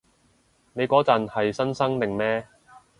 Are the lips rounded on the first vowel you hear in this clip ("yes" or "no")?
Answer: no